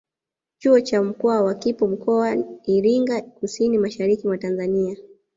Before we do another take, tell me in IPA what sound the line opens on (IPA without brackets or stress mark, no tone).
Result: t͡ʃ